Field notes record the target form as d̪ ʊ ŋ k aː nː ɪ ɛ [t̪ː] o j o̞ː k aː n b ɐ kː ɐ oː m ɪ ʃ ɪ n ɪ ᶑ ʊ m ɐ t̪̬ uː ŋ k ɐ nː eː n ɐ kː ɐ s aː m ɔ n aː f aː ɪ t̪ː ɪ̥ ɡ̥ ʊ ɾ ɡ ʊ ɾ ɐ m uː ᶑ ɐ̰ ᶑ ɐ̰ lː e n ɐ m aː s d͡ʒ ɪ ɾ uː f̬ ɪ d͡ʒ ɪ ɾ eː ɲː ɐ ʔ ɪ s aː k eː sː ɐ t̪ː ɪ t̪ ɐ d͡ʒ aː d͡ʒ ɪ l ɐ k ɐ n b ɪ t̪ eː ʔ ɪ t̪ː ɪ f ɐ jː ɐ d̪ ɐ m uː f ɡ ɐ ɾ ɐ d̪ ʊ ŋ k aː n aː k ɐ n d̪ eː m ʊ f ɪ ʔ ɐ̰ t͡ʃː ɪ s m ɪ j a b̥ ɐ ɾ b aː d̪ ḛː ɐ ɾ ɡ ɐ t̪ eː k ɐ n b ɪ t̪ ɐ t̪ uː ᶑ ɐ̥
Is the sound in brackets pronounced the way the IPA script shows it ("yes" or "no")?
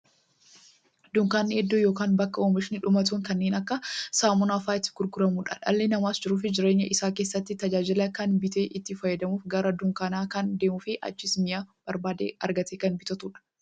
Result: no